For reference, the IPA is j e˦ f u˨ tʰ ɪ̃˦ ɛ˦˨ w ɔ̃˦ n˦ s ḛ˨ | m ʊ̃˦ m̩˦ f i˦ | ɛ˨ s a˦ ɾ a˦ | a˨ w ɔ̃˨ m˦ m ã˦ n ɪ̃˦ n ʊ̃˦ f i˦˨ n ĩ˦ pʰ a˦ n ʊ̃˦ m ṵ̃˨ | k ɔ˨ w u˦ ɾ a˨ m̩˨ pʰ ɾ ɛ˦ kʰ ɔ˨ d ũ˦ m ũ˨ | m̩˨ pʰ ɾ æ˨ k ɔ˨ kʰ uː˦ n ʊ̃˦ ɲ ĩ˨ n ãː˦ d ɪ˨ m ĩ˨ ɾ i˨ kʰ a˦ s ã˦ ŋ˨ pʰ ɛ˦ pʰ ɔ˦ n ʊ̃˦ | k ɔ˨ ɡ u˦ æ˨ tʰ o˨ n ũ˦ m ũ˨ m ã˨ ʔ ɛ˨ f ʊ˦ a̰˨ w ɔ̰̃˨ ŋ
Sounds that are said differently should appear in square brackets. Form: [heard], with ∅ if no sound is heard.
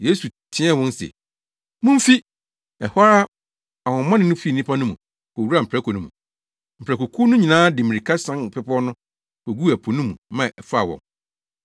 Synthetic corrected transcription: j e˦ [s] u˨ tʰ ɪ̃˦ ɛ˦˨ w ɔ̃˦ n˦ s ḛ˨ | m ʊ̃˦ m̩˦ f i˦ | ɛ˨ [h] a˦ ɾ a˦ | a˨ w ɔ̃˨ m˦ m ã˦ n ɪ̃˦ n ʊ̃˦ f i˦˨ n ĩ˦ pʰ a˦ n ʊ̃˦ m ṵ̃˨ | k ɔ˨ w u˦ ɾ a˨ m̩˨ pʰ ɾ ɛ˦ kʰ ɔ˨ [n] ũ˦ m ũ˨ | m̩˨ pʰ ɾ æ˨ k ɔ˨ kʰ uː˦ n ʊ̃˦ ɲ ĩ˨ n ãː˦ d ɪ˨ m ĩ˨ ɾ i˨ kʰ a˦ s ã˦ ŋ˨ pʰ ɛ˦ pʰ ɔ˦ n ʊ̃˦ | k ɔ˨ ɡ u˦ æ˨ [pʰ] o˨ n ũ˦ m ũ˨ m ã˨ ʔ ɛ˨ f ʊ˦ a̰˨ w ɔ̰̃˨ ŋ